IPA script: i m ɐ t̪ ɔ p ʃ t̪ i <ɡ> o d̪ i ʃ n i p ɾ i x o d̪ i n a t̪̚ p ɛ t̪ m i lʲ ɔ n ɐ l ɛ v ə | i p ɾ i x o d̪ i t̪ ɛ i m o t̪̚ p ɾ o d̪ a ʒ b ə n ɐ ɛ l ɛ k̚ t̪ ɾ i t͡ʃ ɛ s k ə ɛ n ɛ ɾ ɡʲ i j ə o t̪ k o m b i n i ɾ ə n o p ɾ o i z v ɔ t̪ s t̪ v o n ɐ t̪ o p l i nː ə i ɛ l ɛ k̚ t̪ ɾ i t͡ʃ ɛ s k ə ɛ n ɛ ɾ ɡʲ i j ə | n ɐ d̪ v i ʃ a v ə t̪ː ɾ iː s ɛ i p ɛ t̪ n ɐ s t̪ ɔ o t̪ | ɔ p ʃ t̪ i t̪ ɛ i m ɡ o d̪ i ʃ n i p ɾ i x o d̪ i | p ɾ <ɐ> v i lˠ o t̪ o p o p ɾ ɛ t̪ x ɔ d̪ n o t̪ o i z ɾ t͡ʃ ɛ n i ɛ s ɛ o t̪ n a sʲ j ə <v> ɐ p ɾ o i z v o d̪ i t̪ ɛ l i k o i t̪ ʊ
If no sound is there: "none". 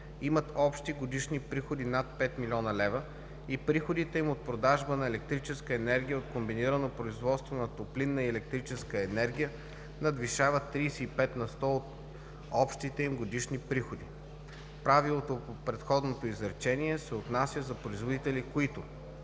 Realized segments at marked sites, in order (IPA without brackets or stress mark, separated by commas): ɡ, a, z